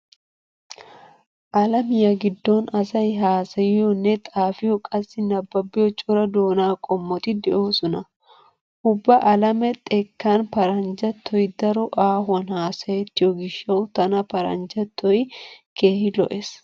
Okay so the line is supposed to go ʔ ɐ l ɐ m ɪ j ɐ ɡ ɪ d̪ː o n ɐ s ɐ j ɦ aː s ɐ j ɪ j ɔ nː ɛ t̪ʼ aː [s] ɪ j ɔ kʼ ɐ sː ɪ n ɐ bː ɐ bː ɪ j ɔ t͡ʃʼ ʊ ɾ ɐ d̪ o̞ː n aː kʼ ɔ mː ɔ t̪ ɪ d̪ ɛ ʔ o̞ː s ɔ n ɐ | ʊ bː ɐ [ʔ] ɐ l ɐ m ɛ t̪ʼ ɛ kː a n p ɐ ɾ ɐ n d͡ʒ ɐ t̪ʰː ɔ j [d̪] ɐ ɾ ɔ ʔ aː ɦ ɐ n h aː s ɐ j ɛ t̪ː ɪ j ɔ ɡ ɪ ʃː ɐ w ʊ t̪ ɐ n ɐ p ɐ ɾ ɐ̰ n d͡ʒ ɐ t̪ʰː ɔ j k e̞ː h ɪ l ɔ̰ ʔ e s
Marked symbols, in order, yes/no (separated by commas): no, yes, yes